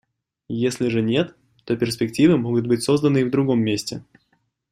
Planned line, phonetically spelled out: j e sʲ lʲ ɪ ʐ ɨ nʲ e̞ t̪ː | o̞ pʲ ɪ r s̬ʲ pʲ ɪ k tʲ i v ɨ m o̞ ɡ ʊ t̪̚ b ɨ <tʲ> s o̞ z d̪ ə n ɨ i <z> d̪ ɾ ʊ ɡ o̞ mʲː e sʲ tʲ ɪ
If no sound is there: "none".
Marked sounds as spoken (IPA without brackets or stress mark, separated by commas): tʲ, v